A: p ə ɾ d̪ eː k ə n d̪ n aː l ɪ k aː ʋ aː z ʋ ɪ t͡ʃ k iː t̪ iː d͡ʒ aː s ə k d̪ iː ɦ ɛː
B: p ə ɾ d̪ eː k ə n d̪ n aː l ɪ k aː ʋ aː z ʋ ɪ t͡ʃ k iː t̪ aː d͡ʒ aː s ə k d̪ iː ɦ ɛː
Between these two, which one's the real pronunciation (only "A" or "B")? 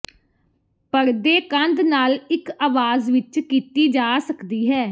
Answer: A